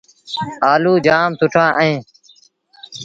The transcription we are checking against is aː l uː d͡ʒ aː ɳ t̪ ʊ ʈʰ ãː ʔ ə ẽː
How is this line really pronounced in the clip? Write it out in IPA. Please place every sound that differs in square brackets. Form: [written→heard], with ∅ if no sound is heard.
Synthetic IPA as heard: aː l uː d͡ʒ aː [ɳ→m] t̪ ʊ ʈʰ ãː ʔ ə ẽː